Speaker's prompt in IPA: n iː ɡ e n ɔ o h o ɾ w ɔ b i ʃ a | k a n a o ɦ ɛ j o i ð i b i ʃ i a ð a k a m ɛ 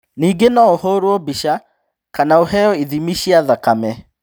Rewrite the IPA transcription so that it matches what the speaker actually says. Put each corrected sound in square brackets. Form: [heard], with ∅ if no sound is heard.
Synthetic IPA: n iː ɡ e n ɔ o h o ɾ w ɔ b i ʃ a | k a n a o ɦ ɛ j [ɔ] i ð i [m] i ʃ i a ð a k a m ɛ